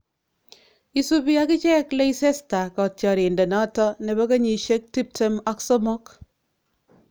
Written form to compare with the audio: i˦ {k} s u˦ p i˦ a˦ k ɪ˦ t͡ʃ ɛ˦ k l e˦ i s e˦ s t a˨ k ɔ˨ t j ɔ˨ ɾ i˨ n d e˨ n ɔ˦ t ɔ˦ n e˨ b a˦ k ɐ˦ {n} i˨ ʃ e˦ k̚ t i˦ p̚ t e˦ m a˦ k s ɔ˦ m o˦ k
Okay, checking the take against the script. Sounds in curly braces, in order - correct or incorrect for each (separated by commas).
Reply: incorrect, incorrect